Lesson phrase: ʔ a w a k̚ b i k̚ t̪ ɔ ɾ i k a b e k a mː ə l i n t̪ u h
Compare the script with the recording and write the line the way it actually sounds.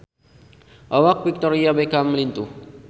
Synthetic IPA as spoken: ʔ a w a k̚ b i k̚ t̪ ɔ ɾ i a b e k a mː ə l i n t̪ u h